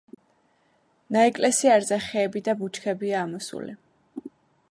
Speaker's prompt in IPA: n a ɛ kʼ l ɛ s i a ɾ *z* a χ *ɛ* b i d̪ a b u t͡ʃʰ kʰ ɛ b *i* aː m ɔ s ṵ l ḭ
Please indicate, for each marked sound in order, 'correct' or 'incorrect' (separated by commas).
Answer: correct, incorrect, correct